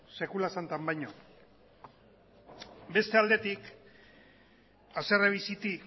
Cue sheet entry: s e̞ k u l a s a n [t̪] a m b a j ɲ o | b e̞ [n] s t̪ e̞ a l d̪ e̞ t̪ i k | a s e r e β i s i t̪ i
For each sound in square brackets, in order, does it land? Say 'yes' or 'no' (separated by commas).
yes, no